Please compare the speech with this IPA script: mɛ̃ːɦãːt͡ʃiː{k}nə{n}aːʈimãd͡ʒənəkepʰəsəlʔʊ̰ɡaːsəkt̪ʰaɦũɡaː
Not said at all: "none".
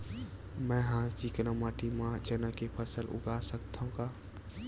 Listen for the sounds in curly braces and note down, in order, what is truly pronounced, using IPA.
k, m

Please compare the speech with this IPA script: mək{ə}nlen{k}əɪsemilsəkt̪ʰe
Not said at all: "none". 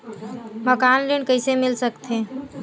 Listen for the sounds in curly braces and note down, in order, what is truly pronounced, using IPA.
a, k

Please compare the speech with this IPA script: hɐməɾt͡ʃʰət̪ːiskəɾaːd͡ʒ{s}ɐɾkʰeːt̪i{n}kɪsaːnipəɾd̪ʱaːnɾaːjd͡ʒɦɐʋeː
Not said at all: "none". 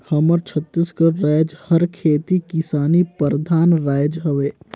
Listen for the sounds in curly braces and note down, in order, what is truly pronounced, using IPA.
h, none

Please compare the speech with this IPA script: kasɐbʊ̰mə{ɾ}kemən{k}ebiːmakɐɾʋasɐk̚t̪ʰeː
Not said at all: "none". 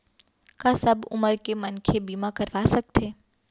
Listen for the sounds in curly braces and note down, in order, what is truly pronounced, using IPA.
ɾ, kʰ

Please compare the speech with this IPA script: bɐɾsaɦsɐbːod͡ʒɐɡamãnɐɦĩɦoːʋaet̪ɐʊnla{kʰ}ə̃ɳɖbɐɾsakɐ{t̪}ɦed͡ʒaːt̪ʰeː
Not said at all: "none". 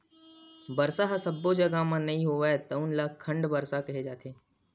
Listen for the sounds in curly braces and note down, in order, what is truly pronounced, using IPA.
kʰ, none

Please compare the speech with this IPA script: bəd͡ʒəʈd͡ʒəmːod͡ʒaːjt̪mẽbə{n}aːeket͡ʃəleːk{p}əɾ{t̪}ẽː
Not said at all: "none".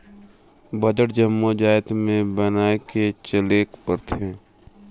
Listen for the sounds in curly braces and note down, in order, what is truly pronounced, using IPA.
n, p, t̪ʰ

